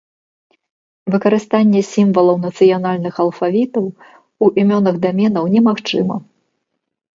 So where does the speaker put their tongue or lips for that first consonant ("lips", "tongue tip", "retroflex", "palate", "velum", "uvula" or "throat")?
lips